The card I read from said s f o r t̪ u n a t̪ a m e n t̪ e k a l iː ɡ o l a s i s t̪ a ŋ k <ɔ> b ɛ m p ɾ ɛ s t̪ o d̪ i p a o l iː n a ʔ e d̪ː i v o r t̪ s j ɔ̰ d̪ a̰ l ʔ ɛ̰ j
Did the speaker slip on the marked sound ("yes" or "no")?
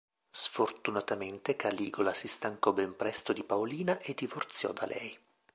no